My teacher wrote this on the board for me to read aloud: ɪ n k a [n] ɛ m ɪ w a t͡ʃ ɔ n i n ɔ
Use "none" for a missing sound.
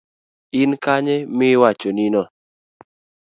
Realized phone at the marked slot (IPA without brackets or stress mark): ɲ